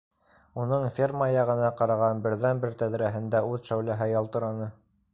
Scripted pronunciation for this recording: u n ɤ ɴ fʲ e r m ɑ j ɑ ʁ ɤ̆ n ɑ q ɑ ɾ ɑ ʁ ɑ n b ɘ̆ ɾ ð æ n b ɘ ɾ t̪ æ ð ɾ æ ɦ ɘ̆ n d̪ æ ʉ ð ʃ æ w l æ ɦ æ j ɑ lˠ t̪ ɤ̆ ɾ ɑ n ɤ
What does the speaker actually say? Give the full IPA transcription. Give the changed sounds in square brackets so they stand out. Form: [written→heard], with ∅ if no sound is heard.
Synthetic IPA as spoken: u n ɤ ɴ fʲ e r m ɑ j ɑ ʁ ɤ̆ n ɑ q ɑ ɾ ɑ ʁ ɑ n b ɘ̆ ɾ ð æ n b ɘ ɾ t̪ æ ð ɾ æ ɦ ɘ̆ n d̪ æ ʉ ð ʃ æ w l æ ɦ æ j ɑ lˠ t̪ ɤ̆ ɾ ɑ n ɤ